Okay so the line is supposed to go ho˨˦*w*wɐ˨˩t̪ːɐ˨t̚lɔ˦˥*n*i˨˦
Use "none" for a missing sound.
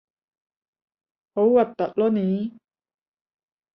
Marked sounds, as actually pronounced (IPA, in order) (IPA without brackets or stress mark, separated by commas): w, n